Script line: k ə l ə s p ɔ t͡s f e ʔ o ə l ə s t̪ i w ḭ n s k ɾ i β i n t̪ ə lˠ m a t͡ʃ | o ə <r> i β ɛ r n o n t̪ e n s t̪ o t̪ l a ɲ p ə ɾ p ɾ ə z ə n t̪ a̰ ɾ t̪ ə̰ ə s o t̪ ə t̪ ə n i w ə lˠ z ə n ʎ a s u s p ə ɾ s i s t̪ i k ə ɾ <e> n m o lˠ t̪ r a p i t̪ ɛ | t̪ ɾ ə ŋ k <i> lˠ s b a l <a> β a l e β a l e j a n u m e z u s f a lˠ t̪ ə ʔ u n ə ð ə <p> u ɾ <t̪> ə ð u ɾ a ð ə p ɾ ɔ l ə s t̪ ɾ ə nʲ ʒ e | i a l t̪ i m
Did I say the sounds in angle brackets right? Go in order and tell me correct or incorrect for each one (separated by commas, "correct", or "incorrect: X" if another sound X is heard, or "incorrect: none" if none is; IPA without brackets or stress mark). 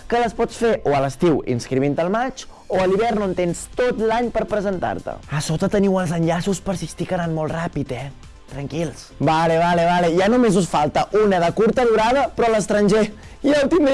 incorrect: l, incorrect: a, correct, incorrect: e, incorrect: k, correct